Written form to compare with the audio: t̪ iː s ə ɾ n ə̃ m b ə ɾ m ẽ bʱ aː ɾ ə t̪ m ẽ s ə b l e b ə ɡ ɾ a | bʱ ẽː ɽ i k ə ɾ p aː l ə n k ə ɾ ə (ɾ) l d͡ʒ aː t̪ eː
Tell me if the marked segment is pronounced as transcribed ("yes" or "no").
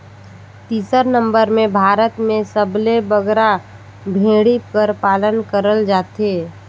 no